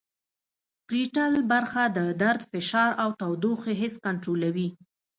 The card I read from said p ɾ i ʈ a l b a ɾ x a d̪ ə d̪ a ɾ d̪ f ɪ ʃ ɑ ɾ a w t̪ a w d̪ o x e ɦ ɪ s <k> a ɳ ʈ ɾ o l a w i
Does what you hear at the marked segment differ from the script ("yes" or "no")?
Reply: no